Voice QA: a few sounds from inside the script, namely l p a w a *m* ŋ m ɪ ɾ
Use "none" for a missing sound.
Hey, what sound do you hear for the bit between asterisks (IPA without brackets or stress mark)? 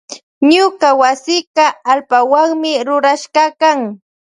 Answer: none